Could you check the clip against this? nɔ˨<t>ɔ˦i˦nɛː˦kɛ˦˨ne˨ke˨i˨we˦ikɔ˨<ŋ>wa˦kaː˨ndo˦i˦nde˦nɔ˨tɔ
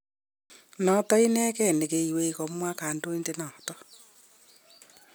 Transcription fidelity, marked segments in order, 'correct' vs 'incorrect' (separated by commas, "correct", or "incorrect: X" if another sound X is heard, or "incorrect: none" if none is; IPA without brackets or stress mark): correct, incorrect: m